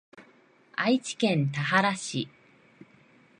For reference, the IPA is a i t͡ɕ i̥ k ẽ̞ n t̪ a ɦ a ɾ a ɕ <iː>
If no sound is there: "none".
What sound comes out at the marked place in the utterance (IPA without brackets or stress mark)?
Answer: i